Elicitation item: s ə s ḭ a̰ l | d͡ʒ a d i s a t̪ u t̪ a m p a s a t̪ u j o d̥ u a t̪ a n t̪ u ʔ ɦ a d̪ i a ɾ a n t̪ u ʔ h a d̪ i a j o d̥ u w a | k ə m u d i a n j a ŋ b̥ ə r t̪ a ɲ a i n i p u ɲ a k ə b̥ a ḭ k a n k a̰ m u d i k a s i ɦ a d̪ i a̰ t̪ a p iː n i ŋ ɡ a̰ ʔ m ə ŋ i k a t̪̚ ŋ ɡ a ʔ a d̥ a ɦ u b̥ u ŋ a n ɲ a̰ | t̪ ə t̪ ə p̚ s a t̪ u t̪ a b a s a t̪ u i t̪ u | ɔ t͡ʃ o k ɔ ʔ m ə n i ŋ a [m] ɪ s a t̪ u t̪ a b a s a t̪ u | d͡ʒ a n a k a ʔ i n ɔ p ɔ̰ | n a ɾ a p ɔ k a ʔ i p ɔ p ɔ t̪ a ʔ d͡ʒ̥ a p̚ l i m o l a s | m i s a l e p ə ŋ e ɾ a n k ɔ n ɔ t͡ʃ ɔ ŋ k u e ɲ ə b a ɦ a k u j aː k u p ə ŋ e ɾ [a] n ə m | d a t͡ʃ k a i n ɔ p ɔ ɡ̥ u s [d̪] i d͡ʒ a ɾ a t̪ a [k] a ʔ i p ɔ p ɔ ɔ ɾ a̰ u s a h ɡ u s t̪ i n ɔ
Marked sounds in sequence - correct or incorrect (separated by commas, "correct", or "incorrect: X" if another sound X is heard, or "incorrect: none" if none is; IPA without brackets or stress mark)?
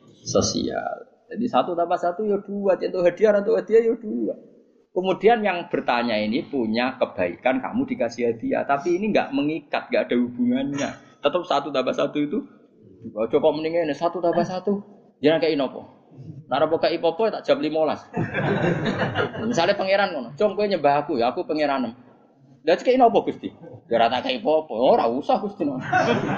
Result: incorrect: n, correct, incorrect: t̪, correct